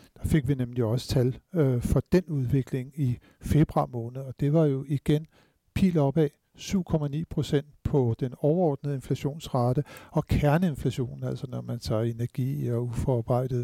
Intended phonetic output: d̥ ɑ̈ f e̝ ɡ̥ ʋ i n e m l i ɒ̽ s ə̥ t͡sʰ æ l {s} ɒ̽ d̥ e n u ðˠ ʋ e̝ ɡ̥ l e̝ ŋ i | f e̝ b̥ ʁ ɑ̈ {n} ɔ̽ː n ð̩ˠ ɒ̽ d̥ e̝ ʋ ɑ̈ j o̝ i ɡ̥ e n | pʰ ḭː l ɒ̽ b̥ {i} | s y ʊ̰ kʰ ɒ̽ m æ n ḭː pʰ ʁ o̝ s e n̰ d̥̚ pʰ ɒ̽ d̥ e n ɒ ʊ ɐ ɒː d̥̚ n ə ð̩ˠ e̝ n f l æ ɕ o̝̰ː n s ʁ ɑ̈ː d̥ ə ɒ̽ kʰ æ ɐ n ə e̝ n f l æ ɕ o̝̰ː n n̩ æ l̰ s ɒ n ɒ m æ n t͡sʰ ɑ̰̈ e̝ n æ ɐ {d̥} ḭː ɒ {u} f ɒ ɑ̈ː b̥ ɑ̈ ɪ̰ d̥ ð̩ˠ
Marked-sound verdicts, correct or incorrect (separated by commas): incorrect, incorrect, incorrect, incorrect, correct